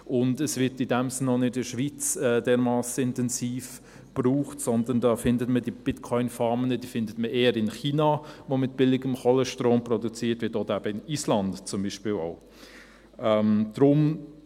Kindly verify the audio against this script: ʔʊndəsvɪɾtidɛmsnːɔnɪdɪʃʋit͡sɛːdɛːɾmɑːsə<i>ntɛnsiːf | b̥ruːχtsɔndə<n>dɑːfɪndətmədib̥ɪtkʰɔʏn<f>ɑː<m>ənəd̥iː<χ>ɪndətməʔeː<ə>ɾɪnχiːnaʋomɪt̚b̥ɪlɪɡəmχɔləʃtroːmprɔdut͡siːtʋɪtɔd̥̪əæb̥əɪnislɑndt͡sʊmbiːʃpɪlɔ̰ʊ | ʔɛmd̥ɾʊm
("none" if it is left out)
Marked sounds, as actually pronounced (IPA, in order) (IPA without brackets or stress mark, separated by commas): ɪ, n, f, m, f, ə